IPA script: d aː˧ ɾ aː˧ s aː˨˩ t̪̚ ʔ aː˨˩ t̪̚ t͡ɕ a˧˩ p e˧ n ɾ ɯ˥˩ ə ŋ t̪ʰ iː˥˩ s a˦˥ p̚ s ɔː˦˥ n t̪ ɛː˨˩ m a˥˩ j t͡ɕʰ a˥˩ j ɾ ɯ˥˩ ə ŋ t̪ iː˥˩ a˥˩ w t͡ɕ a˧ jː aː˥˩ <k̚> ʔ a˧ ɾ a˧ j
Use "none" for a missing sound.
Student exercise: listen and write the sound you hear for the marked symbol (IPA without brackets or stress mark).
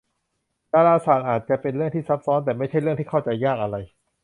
k̚